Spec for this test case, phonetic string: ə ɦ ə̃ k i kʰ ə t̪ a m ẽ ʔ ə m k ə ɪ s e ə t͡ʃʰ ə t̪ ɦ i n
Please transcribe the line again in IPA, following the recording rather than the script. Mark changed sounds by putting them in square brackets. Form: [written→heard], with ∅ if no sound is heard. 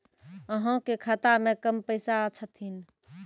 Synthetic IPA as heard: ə ɦ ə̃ k [i→e] kʰ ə t̪ a m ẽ [ʔ→k] ə m [k→p] ə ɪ s [e→a] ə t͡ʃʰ ə t̪ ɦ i n